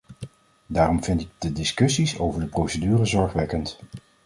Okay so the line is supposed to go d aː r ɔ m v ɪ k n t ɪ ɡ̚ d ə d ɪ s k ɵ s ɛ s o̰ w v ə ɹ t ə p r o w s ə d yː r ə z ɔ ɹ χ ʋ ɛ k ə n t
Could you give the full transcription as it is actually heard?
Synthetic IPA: d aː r ɔ m v ɪ n t ɪ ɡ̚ d ə d ɪ s k ɵ s i s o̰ w v ə ɹ d ə p r o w s ə d yː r ə z ɔ ɹ χ ʋ ɛ k ə n t